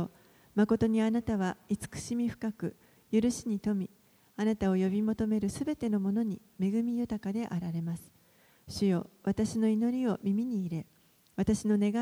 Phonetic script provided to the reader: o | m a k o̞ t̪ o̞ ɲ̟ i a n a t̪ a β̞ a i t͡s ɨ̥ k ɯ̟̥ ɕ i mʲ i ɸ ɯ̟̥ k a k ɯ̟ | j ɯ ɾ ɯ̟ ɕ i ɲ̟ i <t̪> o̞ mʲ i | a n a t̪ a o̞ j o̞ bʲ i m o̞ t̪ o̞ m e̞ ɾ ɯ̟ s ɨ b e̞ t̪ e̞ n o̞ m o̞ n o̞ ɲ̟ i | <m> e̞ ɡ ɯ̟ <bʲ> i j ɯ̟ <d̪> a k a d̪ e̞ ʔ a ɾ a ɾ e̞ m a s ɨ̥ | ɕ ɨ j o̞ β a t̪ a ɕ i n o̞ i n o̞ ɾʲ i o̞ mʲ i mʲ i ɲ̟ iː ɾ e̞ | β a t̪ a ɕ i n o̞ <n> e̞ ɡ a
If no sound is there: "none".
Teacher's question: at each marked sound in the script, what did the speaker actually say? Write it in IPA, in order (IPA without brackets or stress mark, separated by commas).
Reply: t̪, m, mʲ, t̪, n